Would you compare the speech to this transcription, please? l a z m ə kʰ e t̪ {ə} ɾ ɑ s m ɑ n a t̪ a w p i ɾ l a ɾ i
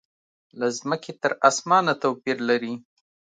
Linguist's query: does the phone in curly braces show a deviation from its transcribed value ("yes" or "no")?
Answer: no